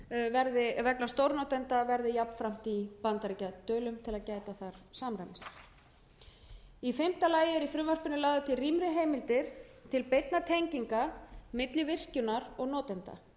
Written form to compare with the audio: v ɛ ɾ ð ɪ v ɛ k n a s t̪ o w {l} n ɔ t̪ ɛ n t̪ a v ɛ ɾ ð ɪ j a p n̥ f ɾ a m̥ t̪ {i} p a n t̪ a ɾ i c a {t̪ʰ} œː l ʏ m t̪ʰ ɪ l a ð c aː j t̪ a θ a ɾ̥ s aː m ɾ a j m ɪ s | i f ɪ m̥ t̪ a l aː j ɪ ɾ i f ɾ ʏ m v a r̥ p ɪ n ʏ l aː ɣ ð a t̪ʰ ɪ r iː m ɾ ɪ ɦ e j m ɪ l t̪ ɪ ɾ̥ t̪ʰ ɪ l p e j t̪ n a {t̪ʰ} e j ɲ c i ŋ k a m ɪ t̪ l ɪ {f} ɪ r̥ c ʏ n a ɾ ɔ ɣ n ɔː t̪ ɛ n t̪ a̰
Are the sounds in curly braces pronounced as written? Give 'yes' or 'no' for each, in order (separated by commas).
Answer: no, yes, no, yes, no